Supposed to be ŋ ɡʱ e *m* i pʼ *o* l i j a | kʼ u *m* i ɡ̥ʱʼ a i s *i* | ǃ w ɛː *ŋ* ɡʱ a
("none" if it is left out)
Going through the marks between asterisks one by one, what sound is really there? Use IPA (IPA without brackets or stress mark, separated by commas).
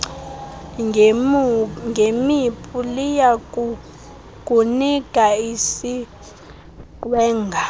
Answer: m, u, n, i, ŋ